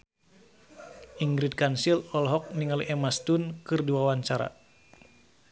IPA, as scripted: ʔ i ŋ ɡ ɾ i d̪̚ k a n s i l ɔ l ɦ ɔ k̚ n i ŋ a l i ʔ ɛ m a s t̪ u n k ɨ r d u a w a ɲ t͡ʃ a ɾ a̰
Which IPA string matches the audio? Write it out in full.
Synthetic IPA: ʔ i ŋ ɡ ɾ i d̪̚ k a n s i l ɔ l ɦ ɔ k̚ n i ŋ a l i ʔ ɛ m a s t̪ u n k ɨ r d u a w a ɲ t͡ʃ a ɾ a̰